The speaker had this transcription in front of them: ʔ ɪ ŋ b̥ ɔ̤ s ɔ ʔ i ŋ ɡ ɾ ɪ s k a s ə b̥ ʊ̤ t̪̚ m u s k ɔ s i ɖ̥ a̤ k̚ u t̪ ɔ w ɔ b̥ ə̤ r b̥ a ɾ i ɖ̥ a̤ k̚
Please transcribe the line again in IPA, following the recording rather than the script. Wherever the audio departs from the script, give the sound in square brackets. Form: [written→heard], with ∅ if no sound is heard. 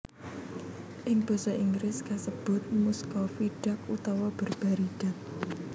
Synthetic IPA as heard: ʔ ɪ ŋ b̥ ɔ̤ s ɔ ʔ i ŋ ɡ ɾ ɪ s k a s ə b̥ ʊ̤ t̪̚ m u s k ɔ [s→f] i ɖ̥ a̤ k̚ u t̪ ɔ w ɔ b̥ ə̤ r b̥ a ɾ i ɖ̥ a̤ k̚